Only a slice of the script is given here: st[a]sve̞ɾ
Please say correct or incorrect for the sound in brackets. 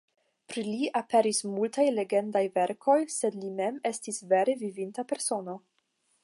incorrect